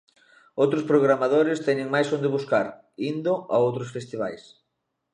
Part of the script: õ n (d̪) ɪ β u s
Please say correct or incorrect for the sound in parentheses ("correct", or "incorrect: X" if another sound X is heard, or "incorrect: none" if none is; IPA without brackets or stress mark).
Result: correct